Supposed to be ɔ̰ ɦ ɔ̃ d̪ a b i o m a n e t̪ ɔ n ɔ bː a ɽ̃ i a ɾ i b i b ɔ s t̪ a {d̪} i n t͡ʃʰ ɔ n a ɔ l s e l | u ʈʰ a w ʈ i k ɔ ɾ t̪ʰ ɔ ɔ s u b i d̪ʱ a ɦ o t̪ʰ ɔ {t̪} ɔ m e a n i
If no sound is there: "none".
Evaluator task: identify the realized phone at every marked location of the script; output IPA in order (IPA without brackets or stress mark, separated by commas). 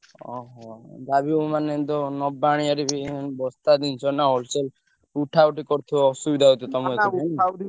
d̪, t̪